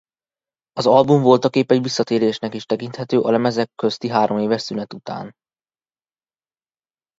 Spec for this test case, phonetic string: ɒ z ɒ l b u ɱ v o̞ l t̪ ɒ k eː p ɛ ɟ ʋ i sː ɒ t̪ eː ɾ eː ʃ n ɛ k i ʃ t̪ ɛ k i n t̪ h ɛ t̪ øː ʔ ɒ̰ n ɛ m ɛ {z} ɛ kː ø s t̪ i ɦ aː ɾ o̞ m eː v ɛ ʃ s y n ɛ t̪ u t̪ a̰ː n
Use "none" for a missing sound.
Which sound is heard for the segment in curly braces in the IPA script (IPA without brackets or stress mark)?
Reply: z